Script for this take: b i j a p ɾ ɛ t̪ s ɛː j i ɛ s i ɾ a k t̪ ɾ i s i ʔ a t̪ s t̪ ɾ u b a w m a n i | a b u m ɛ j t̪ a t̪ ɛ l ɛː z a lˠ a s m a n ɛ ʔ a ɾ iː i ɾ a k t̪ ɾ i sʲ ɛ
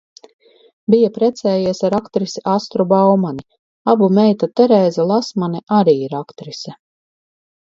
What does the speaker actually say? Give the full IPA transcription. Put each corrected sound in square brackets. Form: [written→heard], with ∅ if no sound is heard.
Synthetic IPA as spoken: b i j a p ɾ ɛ t̪ s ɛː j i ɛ s [i→a] ɾ a k t̪ ɾ i s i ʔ a [t̪→∅] s t̪ ɾ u b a w m a n i | a b u m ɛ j t̪ a t̪ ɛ [l→ɾ] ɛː z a lˠ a s m a n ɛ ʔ a ɾ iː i ɾ a k t̪ ɾ i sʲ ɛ